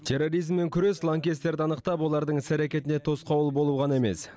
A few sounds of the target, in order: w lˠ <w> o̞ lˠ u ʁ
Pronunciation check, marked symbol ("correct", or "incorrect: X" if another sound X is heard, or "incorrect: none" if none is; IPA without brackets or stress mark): incorrect: b